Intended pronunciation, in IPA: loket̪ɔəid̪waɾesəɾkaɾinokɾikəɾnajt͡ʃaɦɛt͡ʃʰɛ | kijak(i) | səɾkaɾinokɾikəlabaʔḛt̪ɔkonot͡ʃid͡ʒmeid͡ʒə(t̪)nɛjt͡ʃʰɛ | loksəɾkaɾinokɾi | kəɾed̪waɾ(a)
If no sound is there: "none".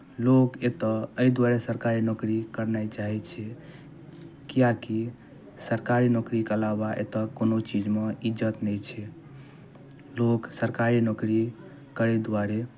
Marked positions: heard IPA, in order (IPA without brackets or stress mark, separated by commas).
i, t̪, e